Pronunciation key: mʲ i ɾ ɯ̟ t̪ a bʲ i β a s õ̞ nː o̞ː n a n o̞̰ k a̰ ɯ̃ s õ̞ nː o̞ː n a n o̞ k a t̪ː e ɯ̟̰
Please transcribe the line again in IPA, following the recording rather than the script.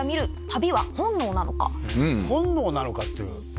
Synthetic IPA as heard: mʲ i ɾ ɯ̟ t̪ a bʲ i β a h õ̞ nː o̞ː n a n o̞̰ k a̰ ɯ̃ h õ̞ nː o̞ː n a n o̞ k a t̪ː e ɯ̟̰